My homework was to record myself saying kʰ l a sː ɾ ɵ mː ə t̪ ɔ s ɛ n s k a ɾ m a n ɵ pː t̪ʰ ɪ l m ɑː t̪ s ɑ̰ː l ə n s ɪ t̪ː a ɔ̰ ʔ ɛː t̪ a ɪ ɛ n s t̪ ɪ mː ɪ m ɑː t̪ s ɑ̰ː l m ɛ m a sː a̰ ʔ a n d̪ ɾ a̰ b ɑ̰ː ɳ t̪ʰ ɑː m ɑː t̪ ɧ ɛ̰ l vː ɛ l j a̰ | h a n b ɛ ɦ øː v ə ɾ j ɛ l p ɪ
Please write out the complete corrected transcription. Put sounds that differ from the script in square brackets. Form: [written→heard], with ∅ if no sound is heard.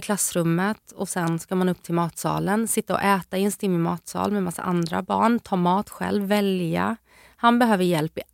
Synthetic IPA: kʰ l a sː ɾ ɵ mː ə t̪ ɔ s ɛ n s k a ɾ m a n ɵ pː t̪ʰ ɪ l m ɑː t̪ s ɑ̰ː l ə n s ɪ t̪ː a ɔ̰ ʔ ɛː t̪ a ɪ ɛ n s t̪ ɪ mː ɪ m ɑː t̪ s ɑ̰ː l m ɛ m a sː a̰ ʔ a n d̪ ɾ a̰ b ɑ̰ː ɳ t̪ʰ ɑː m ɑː t̪ ɧ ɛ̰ l vː ɛ l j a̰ | h a n b ɛ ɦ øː v ə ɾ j ɛ l p ɪ